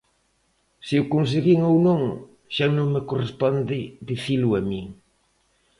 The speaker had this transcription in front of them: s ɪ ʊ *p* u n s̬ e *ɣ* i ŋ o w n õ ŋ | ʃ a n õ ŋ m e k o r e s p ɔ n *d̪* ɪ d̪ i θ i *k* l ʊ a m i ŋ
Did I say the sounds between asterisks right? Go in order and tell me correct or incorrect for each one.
incorrect: k, correct, correct, incorrect: none

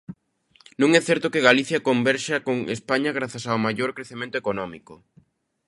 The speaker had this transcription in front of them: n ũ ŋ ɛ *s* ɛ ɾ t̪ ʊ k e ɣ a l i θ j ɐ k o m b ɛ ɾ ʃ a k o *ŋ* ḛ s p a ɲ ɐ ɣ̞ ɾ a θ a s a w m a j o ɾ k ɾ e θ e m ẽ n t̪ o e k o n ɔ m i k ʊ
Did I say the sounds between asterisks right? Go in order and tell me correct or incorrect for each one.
incorrect: θ, correct

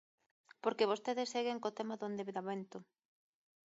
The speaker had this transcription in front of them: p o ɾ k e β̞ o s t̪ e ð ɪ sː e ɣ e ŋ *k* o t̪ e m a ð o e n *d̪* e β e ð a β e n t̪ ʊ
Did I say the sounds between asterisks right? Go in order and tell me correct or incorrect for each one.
correct, correct

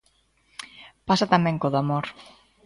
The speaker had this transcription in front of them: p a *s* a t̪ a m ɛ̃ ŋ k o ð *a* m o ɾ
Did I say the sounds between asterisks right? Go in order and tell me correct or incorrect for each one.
correct, correct

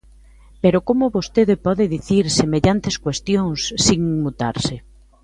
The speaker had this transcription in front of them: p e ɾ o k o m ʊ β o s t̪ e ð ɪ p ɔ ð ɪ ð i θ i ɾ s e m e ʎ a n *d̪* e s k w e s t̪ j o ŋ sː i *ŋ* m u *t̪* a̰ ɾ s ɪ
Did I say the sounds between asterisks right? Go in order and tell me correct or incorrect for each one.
incorrect: t̪, correct, correct

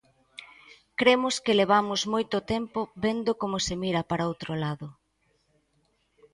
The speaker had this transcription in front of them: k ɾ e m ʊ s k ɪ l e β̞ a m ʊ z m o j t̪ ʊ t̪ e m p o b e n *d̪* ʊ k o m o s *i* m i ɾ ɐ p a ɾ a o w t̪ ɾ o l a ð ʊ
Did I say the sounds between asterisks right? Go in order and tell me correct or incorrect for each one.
correct, incorrect: e

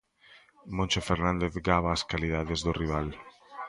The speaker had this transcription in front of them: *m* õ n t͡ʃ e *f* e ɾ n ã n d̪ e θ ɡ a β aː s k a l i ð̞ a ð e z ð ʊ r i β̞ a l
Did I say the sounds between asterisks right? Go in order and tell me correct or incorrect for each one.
correct, correct

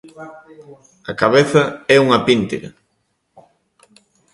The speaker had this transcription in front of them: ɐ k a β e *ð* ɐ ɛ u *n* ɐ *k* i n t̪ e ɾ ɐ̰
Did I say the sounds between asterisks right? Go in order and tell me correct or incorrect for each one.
incorrect: θ, incorrect: ŋ, incorrect: p

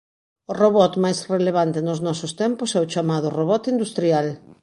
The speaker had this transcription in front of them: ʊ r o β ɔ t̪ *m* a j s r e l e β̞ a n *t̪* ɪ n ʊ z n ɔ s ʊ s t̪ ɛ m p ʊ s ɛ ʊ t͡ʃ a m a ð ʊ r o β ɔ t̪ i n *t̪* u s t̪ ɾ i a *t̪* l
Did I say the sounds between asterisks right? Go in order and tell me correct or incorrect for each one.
correct, correct, incorrect: d̪, incorrect: none

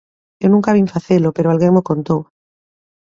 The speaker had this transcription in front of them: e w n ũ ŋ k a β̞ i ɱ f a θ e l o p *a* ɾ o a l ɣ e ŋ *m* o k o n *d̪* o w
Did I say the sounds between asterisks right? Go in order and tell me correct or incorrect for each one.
incorrect: e, correct, incorrect: t̪

